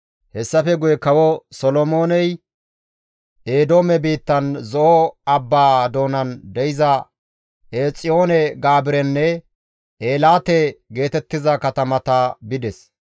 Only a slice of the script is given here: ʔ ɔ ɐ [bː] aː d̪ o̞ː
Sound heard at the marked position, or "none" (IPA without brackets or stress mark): bː